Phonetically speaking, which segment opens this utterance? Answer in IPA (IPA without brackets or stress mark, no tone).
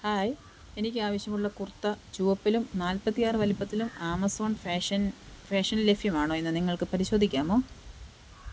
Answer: h